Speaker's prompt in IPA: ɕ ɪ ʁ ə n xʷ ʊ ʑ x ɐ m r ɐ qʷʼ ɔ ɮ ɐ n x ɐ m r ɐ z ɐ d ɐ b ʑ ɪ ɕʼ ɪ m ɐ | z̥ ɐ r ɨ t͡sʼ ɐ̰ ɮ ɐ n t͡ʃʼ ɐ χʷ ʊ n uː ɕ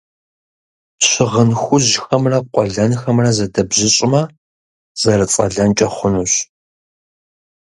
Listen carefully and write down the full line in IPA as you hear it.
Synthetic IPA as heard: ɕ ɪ ʁ ə n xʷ ʊ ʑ x ɐ m r ɐ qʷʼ ɔ ɮ ɐ n x ɐ m r ɐ z ɐ d ɐ b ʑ ɪ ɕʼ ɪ m ɐ | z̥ ɐ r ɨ t͡sʼ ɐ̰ ɮ ɐ n t͡ʃʼ ɐ χʷ ʊ n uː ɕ